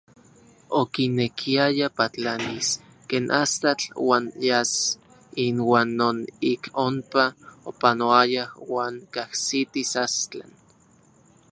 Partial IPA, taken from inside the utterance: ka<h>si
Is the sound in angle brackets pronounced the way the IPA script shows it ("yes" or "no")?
yes